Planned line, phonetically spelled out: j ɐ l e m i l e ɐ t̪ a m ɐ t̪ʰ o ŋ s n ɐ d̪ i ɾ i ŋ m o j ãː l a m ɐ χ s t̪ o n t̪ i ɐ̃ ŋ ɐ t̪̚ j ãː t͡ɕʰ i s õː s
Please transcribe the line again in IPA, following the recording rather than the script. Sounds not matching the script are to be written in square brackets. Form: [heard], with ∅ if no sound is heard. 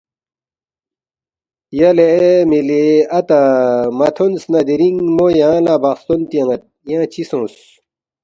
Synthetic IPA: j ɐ l e m i l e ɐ t̪ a m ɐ t̪ʰ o [n] s n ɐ d̪ i ɾ i ŋ m o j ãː l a [b] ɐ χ s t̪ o n t̪ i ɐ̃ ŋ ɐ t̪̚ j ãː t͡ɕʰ i s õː s

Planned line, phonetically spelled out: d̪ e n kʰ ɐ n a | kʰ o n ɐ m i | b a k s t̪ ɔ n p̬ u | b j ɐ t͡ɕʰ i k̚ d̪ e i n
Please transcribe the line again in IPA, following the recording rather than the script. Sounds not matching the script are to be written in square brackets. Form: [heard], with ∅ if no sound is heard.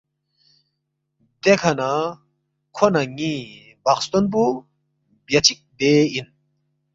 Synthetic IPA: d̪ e [∅] kʰ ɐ n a | kʰ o n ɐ [ŋ] i | b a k s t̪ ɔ n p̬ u | b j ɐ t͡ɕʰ i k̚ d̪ e i n

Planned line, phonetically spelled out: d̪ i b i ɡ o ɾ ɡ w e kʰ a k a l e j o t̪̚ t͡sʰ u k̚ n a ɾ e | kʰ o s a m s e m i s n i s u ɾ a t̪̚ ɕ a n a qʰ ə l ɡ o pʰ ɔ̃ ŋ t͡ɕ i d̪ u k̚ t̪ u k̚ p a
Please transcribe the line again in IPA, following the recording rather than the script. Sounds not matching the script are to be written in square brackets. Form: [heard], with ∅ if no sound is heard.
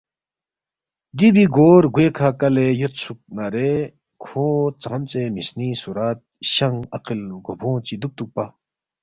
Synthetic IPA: d̪ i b i ɡ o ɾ ɡ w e kʰ a k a l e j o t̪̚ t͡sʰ u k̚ n a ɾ e | kʰ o [t͡s] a m [t͡s] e m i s n i s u ɾ a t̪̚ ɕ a [ŋ] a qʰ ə l ɡ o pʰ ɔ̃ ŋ t͡ɕ i d̪ u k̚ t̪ u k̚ p a

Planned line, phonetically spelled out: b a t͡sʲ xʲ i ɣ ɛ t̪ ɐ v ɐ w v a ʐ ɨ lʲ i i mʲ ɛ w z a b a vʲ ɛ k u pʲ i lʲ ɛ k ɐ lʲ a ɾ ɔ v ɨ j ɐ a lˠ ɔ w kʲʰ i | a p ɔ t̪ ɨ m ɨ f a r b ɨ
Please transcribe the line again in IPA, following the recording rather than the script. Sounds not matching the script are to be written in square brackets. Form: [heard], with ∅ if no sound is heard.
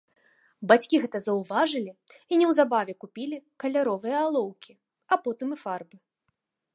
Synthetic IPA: b a t͡sʲ [kʲ] i ɣ ɛ t̪ ɐ [z] ɐ w v a ʐ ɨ lʲ i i [nʲ] ɛ w z a b a vʲ ɛ k u pʲ i lʲ [i] k ɐ lʲ a ɾ ɔ v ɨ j ɐ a lˠ ɔ w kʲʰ i | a p ɔ t̪ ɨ m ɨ f a r b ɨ

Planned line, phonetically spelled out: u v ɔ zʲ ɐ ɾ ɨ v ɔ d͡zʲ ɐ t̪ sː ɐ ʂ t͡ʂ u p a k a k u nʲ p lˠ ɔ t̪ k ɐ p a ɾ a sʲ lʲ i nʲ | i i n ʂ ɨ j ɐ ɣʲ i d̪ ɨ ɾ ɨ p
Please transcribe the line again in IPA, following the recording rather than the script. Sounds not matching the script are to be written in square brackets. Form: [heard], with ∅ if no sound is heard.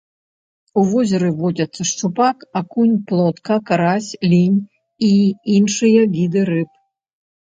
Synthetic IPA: u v ɔ zʲ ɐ ɾ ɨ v ɔ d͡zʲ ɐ t̪ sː ɐ ʂ t͡ʂ u p a k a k u nʲ p lˠ ɔ t̪ k ɐ [k] a ɾ a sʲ lʲ i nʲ | i i n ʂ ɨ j ɐ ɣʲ i d̪ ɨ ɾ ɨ p

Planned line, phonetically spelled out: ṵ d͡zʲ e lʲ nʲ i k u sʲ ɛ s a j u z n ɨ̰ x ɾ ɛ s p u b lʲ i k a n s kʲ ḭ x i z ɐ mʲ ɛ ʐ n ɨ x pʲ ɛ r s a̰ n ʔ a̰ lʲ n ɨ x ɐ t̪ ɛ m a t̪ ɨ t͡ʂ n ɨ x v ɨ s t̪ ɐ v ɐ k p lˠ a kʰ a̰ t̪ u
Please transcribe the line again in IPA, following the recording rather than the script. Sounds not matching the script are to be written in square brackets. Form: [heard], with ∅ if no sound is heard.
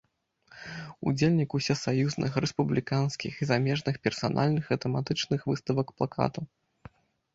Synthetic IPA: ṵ d͡zʲ e lʲ nʲ i k u sʲ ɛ s a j u z n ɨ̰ x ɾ ɛ s p u b lʲ i k a n s kʲ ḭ x i z [a] mʲ ɛ ʐ n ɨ x pʲ ɛ r s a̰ n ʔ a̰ lʲ n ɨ x ɐ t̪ ɛ m a t̪ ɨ t͡ʂ n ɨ x v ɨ s t̪ ɐ v ɐ k p lˠ a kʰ a̰ t̪ u

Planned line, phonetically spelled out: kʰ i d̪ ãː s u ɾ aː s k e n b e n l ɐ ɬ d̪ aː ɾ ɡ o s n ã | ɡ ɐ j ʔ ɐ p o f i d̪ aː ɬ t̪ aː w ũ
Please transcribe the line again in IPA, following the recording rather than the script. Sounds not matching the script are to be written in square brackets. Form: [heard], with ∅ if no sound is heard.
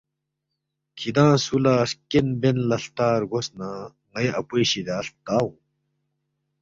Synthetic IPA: kʰ i d̪ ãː s u [l] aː s k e n b e n l ɐ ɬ [t̪] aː ɾ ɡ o s n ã | [ŋ] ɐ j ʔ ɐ p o [ɕ] i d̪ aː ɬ t̪ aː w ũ

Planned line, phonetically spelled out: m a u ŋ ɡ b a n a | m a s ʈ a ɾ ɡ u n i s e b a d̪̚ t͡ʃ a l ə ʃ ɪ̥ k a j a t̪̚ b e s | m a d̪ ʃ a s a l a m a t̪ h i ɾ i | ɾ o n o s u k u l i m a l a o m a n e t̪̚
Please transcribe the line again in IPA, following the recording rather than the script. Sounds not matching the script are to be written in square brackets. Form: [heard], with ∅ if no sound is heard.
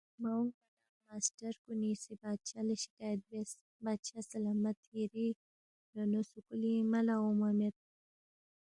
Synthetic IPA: m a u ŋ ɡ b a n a | m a s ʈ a ɾ [k] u n i s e b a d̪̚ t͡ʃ a l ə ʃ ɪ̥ k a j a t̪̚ b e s | [b] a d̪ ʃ a s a l a m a t̪ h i ɾ i | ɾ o n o s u k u l i m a l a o m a [m] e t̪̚

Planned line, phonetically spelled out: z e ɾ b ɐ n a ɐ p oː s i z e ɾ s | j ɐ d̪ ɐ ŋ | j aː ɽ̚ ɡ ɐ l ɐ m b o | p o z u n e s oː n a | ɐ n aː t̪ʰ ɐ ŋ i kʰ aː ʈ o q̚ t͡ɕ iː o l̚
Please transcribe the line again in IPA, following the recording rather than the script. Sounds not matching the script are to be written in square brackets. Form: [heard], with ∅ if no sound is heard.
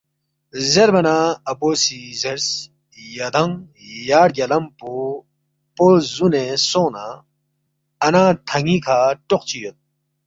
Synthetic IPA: z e ɾ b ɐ n a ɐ p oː s i z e ɾ s | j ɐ d̪ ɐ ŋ | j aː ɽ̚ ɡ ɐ l ɐ m [p] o | p o z u n e s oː n a | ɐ n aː t̪ʰ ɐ ŋ i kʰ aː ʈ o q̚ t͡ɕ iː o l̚

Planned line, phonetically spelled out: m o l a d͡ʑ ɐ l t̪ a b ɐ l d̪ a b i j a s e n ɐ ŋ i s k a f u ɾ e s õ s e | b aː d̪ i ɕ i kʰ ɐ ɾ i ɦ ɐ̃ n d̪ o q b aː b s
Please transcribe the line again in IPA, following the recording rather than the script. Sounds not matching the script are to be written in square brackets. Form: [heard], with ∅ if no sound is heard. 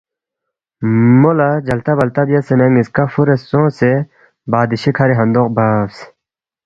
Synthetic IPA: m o l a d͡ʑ ɐ l t̪ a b ɐ l [t̪] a b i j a s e n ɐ ŋ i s k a f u ɾ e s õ s e | b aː d̪ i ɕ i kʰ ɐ ɾ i ɦ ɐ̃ n d̪ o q b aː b s

